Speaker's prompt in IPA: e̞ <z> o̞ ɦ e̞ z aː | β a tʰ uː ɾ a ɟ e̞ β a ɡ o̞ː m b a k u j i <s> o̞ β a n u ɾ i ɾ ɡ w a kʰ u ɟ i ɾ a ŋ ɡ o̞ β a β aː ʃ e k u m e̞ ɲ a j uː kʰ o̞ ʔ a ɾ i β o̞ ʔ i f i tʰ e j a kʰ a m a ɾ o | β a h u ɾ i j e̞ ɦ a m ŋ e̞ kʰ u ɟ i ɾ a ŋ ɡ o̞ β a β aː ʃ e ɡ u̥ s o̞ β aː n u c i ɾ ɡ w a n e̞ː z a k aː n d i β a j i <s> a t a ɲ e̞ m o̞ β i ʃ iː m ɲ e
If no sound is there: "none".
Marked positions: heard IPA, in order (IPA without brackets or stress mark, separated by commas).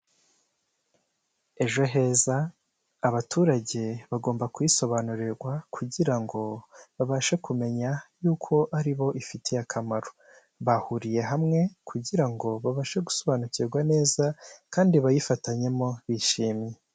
ʒ, s, f